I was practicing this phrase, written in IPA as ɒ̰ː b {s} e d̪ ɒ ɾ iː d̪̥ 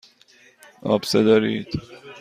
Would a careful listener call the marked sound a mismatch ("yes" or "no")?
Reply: no